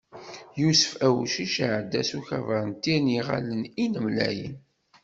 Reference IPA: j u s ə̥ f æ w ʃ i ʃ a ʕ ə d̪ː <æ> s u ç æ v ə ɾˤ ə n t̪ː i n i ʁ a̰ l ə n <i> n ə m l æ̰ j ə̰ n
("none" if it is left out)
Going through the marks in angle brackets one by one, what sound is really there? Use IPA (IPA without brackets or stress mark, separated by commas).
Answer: æ, i